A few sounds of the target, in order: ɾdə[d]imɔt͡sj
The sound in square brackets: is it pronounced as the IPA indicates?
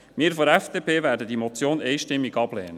yes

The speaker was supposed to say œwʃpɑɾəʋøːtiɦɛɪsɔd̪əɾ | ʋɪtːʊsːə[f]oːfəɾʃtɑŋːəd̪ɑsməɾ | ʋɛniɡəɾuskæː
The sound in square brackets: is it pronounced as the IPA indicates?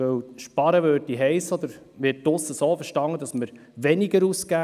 no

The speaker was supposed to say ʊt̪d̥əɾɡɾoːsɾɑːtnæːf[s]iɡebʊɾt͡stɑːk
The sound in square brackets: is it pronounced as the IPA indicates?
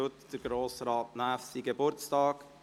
yes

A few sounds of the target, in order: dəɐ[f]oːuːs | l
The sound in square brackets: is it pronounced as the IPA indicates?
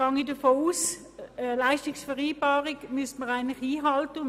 yes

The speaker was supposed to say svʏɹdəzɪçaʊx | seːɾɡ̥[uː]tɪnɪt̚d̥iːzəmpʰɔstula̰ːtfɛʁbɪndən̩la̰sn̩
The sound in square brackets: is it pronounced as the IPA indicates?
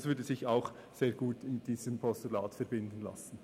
yes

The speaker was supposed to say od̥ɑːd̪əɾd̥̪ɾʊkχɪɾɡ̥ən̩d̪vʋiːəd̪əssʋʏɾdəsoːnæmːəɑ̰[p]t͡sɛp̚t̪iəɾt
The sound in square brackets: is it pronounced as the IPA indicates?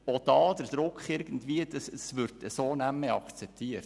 no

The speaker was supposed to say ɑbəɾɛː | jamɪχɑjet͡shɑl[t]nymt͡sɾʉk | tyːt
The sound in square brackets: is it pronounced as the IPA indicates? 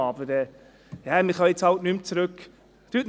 yes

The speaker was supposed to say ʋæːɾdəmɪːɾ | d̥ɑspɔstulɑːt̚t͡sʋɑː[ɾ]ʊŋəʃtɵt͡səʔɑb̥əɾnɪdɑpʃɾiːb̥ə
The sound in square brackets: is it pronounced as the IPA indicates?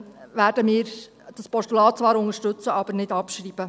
yes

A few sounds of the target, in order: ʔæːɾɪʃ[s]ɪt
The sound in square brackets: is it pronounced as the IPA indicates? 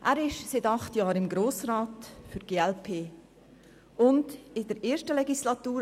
yes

